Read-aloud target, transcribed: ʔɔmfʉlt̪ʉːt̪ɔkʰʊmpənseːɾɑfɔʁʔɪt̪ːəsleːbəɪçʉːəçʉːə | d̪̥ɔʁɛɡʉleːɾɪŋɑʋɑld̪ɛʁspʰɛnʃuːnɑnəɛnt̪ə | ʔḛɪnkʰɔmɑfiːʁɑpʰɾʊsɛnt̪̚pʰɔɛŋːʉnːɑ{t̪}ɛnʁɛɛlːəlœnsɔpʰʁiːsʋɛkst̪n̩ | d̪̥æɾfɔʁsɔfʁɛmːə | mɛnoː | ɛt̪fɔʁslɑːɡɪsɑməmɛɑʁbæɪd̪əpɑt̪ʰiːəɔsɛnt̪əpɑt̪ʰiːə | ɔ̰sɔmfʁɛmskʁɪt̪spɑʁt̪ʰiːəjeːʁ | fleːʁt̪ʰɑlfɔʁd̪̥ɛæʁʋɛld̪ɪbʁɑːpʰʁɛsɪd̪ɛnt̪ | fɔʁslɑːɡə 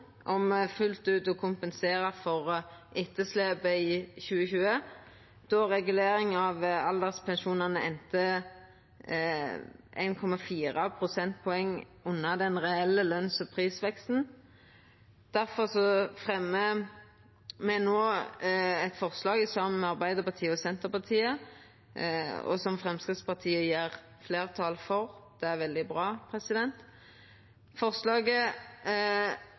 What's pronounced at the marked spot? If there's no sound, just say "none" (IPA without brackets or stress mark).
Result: d̪